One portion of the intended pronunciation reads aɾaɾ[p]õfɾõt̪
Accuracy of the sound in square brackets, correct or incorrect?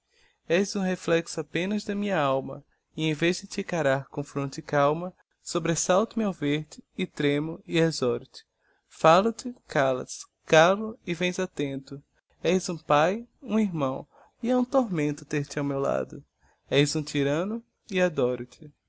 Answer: incorrect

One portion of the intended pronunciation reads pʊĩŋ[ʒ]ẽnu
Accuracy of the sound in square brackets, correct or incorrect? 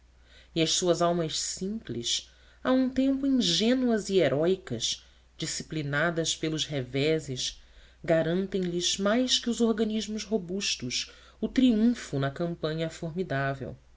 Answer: correct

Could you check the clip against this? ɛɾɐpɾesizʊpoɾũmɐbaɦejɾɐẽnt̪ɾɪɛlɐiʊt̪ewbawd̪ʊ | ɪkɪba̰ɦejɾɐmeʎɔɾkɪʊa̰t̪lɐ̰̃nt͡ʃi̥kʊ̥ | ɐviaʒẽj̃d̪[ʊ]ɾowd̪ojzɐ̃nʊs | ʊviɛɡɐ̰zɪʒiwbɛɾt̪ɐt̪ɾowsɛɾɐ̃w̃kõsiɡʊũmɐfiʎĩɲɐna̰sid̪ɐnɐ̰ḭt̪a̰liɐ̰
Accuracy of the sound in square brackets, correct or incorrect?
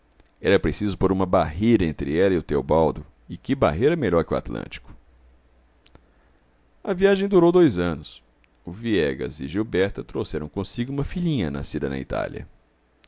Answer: incorrect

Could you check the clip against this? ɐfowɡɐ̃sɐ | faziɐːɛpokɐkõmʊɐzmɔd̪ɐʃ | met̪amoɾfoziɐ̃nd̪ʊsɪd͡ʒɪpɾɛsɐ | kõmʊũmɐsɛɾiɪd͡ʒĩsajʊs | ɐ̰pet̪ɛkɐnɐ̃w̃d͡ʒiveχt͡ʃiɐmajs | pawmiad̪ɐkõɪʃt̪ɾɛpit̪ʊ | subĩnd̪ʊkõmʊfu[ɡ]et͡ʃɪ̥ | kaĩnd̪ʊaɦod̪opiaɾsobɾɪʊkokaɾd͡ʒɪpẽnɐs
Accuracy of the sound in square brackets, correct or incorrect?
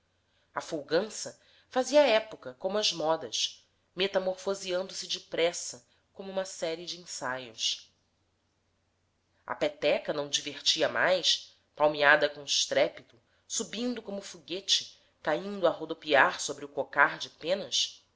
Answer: correct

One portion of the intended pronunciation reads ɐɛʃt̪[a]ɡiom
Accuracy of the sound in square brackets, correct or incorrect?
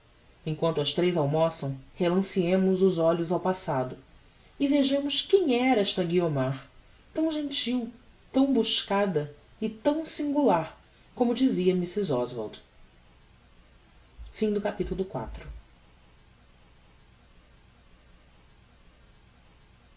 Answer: incorrect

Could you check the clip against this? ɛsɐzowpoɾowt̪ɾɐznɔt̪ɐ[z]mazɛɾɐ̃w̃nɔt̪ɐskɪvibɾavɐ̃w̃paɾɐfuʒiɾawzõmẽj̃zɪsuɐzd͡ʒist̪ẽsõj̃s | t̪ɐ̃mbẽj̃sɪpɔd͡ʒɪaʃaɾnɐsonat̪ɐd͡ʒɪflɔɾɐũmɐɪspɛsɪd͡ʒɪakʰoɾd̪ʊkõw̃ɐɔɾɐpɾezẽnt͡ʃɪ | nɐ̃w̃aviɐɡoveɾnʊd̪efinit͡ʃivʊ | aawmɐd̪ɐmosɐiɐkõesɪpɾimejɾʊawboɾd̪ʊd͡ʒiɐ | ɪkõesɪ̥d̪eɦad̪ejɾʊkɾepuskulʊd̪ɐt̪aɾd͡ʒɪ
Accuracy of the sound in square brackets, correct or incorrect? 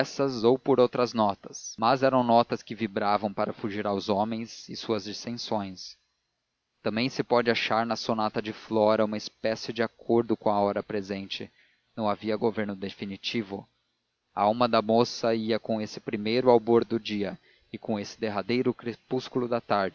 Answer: incorrect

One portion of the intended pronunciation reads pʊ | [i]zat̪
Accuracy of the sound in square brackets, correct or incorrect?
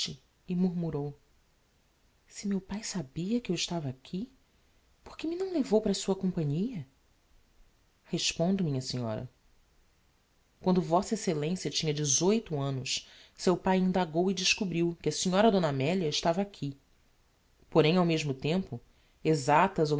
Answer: incorrect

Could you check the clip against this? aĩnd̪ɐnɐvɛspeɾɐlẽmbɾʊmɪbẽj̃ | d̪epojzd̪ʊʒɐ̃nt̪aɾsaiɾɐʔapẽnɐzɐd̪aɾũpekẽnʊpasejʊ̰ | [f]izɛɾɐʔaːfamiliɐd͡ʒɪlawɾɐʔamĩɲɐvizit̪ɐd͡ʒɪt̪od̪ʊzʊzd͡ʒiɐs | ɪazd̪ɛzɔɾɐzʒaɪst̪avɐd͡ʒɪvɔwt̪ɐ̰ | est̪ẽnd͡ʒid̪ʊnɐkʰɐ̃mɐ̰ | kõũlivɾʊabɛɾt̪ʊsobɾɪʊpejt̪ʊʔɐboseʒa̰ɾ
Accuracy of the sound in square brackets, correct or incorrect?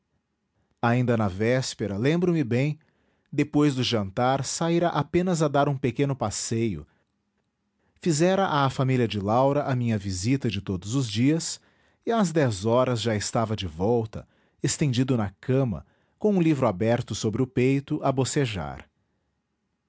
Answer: correct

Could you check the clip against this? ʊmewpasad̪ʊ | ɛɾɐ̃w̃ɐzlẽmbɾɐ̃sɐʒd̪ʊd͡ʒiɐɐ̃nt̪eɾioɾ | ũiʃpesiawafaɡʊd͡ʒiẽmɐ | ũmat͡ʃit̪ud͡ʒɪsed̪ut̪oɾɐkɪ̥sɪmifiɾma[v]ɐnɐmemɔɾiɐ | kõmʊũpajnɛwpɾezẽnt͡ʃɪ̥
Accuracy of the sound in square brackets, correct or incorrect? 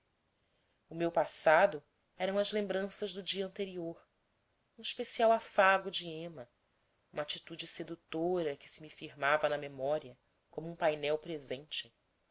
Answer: correct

